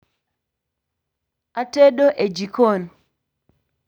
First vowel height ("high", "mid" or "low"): low